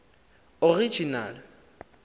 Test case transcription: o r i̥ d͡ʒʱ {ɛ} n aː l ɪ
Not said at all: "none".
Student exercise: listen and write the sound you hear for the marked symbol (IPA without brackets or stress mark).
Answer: i